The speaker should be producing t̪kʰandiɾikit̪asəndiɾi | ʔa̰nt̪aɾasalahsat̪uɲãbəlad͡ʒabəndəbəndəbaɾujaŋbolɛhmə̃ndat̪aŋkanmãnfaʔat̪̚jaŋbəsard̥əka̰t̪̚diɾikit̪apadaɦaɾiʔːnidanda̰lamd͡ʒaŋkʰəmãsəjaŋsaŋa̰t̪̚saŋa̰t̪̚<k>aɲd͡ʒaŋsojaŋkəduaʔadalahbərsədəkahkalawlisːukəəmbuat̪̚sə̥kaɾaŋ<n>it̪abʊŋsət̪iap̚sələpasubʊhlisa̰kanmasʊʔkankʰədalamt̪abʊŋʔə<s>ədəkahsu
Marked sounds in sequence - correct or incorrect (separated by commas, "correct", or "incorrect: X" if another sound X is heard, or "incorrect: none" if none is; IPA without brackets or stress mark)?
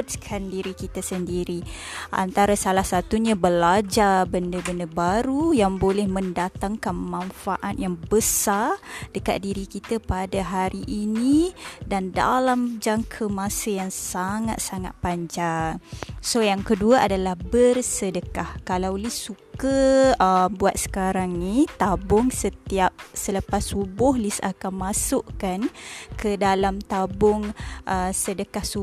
incorrect: p, correct, correct